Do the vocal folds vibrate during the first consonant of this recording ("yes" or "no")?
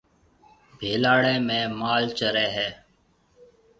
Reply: yes